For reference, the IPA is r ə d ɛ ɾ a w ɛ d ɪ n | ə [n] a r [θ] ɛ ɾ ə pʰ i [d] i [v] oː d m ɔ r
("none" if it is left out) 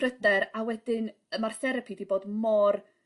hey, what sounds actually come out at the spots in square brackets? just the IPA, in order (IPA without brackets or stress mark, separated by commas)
m, θ, d, b